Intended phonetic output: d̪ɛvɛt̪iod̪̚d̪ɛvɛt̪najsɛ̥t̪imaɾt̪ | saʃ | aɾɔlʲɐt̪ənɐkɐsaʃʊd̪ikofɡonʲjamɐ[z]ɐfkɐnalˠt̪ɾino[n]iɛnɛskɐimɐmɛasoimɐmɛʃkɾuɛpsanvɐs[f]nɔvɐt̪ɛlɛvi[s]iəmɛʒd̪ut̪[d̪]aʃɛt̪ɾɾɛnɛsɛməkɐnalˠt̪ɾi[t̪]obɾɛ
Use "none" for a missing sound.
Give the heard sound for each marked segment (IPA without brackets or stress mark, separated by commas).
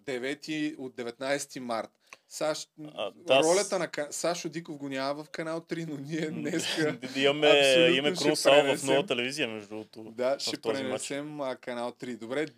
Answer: v, n, f, z, d̪, d̪